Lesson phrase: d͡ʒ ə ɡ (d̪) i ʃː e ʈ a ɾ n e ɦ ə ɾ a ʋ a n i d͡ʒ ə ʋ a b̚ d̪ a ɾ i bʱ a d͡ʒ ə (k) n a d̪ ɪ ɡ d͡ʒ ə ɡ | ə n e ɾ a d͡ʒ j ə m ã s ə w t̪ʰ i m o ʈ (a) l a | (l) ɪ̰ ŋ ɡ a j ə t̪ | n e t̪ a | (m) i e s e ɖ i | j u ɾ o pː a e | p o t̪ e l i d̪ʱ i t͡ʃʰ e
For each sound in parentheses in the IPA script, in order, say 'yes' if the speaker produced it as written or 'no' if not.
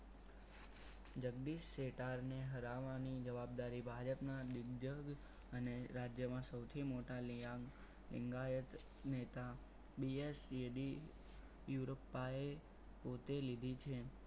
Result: yes, no, yes, yes, no

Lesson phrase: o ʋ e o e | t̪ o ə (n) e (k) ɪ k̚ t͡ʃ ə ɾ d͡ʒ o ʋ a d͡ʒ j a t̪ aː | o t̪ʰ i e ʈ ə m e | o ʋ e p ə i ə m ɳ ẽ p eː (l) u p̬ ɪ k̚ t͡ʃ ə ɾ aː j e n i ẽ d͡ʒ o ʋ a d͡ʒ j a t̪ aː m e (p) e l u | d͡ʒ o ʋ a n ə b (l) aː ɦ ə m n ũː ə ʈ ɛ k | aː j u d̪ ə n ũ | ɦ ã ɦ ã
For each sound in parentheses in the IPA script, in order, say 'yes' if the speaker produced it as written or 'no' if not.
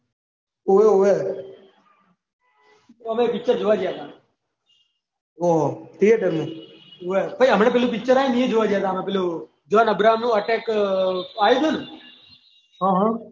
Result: no, no, yes, yes, no

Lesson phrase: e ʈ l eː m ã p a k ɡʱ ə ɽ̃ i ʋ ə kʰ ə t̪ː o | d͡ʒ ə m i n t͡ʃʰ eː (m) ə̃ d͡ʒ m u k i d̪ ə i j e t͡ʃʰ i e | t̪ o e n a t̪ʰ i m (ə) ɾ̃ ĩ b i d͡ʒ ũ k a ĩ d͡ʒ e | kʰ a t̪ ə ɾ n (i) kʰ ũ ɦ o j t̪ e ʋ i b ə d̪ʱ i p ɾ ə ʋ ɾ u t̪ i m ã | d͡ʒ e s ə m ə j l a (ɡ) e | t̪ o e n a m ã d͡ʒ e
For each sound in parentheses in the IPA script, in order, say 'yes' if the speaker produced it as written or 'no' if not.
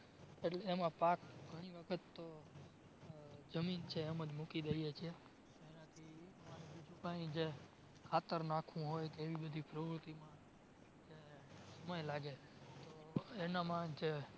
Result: yes, no, no, yes

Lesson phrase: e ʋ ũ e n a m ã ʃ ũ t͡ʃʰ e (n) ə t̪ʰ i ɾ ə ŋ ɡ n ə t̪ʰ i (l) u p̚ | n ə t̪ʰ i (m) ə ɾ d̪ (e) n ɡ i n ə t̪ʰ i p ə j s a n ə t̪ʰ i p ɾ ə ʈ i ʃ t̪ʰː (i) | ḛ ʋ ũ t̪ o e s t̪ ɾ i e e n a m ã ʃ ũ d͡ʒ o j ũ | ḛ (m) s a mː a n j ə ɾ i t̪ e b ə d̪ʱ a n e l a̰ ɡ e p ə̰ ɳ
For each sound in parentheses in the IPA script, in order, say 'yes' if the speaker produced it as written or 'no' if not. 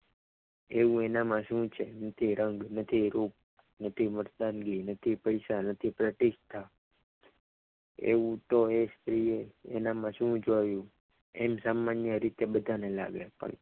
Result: yes, no, yes, no, no, yes

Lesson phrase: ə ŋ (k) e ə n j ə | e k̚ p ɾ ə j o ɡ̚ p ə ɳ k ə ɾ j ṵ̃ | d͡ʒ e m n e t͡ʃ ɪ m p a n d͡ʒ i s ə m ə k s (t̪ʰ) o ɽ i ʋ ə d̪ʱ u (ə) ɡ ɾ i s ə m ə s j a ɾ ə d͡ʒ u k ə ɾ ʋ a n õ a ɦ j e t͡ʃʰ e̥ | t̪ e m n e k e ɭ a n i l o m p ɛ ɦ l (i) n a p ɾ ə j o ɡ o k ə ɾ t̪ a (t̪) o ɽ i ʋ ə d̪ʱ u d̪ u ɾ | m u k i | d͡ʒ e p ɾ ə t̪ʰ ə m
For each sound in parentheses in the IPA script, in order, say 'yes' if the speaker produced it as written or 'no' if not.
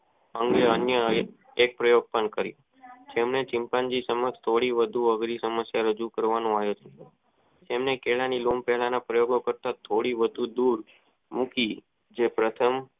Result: no, yes, yes, no, no

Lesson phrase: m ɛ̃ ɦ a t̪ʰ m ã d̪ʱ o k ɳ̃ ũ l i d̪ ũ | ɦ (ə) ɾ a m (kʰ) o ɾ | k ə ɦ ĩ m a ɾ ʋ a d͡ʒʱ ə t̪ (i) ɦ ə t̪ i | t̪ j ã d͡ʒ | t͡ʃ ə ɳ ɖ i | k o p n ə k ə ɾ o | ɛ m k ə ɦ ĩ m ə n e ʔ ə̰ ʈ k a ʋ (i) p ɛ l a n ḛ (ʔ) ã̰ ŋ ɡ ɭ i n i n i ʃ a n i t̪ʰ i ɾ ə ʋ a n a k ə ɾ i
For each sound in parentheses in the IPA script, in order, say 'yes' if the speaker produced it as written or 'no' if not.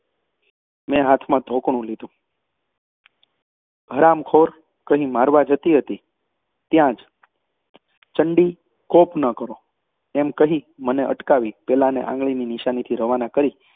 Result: yes, yes, yes, yes, yes

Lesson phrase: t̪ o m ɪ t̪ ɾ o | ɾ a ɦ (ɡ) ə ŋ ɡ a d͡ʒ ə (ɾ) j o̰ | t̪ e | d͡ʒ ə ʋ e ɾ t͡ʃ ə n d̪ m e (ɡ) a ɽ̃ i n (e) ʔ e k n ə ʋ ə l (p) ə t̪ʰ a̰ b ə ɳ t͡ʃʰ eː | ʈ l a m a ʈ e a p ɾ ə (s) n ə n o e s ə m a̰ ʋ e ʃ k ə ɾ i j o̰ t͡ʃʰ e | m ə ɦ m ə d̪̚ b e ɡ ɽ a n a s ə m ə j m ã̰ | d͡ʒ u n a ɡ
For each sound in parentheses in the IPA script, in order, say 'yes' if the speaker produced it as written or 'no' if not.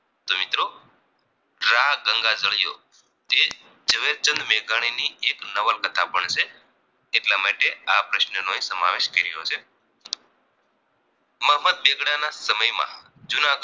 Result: yes, no, yes, no, no, no

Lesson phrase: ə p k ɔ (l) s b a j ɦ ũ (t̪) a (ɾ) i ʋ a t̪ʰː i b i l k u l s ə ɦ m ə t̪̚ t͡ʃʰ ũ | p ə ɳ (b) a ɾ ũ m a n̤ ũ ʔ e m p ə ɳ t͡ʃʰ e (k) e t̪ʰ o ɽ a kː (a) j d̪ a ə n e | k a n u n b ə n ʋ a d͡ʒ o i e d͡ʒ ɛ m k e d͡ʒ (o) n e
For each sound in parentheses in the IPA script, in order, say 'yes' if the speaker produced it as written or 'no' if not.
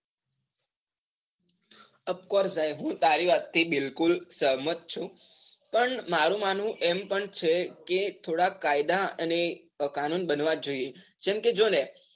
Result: no, yes, yes, no, yes, yes, yes

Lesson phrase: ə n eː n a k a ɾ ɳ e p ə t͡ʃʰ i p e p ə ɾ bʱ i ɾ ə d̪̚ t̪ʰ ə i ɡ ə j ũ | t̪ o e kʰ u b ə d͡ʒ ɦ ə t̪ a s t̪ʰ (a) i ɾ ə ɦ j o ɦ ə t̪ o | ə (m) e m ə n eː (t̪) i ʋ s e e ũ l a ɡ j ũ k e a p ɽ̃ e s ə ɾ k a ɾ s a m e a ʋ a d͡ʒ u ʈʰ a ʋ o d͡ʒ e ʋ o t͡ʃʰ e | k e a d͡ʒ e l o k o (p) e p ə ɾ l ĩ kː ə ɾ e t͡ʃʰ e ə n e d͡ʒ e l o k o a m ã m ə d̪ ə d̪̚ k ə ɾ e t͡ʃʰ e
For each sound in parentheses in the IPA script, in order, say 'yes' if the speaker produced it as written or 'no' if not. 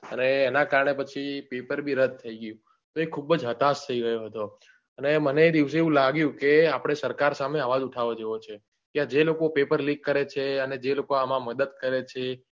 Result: no, no, no, yes

